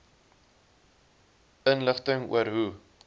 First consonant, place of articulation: alveolar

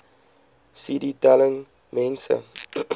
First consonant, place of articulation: alveolar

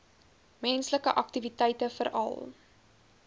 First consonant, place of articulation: labial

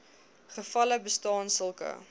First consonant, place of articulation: uvular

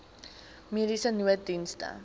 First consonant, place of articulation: labial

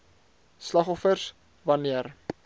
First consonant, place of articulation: alveolar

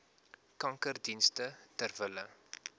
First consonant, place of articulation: velar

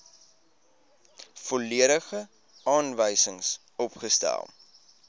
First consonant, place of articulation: labial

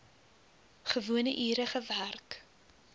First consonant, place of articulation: uvular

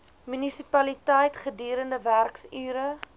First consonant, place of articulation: labial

